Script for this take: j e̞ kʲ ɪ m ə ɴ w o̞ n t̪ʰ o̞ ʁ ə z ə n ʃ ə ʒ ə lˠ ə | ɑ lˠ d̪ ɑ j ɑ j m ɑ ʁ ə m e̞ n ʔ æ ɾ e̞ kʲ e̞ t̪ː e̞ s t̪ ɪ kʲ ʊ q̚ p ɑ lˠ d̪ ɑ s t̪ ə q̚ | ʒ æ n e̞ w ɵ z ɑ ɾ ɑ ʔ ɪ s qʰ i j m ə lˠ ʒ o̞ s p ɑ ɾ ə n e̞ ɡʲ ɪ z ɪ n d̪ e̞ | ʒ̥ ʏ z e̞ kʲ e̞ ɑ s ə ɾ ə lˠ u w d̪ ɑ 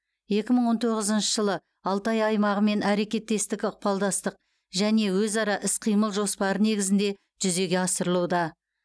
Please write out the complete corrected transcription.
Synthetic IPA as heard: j e̞ kʲ ɪ m ə ɴ w o̞ n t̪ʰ o̞ ʁ ə z ə n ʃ ə ʒ ə lˠ ə | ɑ lˠ t̪ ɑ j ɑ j m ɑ ʁ ə m e̞ n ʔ æ ɾ e̞ kʲ e̞ t̪ː e̞ s t̪ ɪ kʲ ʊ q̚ p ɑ lˠ d̪ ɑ s t̪ ə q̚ | ʒ æ n e̞ w ɵ z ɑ ɾ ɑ ʔ ɪ s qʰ i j m ə lˠ ʒ o̞ s p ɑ ɾ ə n e̞ ɡʲ ɪ z ɪ n d̪ e̞ | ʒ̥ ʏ z e̞ ɡʲ e̞ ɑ s ə ɾ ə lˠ u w d̪ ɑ